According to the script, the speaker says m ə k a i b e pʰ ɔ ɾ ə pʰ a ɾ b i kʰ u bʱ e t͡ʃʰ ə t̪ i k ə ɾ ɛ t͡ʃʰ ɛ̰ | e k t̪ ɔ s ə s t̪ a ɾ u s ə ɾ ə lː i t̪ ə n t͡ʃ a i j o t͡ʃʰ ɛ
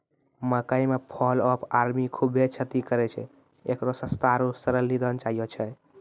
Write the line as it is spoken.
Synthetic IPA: m ə k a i m e pʰ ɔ l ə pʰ a ɾ m i kʰ u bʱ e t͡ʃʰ ə t̪ i k ə ɾ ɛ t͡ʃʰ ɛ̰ | e k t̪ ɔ s ə s t̪ a ɾ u s ə ɾ ə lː i d̪ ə n t͡ʃ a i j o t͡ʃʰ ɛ